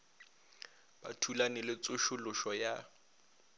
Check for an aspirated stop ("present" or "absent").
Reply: present